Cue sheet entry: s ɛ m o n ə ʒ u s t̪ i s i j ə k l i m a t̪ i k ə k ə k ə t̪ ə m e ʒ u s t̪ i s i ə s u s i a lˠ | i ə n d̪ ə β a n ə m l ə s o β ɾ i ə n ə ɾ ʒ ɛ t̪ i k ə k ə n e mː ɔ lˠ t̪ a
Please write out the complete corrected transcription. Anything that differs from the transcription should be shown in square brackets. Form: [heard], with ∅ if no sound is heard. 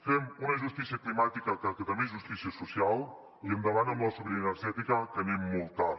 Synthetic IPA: [f] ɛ m [u] n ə ʒ u s t̪ i s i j ə k l i m a t̪ i k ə k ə k ə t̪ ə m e ʒ u s t̪ i s i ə s u s i a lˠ | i ə n d̪ ə β a n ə m l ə s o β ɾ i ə n ə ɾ ʒ ɛ t̪ i k ə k ə n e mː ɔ lˠ t̪ a